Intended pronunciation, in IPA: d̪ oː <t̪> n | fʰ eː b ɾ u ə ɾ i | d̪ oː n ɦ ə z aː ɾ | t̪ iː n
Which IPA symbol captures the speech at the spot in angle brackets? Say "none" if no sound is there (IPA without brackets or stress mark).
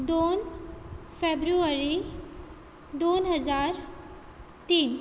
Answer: none